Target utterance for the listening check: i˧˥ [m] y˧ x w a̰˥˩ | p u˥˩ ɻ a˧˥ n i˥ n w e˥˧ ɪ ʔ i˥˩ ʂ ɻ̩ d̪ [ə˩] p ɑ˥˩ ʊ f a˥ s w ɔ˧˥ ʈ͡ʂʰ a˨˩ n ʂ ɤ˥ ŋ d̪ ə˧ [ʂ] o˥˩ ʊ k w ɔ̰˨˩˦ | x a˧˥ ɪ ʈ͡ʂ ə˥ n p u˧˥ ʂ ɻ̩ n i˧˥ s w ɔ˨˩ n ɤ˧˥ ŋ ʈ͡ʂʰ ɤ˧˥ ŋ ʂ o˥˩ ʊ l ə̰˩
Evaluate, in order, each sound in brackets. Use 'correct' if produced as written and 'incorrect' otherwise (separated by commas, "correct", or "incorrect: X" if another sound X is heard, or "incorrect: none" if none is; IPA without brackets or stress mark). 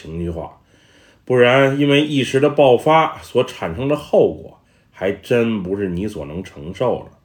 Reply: incorrect: ŋ, incorrect: ə˧, incorrect: x